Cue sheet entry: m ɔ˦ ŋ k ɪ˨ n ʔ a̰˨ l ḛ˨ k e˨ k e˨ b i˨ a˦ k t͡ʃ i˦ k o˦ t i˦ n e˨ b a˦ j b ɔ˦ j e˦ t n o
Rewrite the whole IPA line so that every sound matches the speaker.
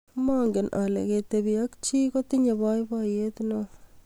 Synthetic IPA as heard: m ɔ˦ ŋ ɡ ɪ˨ n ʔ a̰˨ l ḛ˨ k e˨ t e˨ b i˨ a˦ k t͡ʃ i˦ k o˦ t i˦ ɲ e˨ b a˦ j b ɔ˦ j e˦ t n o